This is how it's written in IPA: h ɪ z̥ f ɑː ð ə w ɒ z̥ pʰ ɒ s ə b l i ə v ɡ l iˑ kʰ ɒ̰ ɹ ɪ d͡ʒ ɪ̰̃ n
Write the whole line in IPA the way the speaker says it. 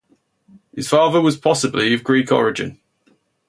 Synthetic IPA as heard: h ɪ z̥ f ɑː ð ə w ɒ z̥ pʰ ɒ s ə b l i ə v ɡ ɹ iˑ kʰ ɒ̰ ɹ ɪ d͡ʒ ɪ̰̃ n